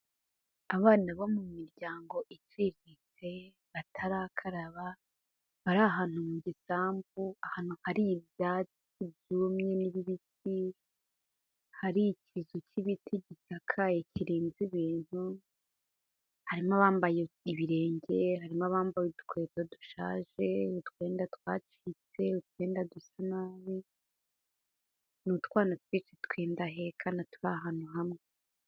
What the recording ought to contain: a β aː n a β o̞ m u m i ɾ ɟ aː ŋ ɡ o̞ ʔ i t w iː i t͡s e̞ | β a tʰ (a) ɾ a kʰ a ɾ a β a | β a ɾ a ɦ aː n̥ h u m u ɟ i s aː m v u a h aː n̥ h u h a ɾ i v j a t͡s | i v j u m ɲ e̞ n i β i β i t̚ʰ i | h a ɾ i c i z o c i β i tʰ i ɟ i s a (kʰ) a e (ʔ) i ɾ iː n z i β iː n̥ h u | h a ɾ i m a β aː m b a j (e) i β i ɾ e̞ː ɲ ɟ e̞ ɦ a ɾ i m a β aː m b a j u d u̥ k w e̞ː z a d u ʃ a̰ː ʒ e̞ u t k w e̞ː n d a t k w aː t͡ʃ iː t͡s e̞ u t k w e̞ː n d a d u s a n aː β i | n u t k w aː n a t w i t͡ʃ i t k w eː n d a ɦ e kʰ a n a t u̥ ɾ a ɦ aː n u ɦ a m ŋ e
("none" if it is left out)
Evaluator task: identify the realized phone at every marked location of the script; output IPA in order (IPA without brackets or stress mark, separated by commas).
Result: a, kʰ, c, e